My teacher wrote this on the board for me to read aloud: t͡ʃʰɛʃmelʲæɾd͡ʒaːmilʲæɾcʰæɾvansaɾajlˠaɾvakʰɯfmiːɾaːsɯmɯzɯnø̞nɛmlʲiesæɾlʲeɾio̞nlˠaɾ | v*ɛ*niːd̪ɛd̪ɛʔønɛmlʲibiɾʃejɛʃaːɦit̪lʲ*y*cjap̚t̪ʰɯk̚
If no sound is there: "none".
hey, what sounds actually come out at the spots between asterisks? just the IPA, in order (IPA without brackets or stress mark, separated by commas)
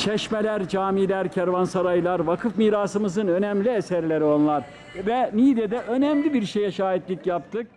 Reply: ɛ, i